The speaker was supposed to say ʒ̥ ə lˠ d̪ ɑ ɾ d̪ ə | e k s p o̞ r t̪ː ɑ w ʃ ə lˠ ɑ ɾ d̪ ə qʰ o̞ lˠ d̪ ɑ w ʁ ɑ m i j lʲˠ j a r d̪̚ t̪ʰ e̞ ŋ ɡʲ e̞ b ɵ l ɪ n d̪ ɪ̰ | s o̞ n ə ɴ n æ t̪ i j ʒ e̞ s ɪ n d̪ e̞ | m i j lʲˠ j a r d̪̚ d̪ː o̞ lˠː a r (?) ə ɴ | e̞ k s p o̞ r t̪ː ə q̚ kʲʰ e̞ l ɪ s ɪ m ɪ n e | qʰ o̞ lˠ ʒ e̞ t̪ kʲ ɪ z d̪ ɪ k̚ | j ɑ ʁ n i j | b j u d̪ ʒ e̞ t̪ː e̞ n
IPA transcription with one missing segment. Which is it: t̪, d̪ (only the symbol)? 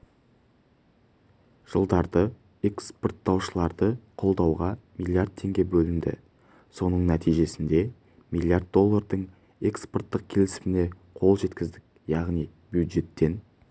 d̪